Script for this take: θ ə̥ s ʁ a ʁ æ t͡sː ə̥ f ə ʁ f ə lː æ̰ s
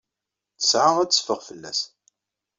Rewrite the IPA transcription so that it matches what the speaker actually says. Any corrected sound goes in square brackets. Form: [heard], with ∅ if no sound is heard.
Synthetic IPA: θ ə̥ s [ʕ] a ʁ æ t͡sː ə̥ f ə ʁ f ə lː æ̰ s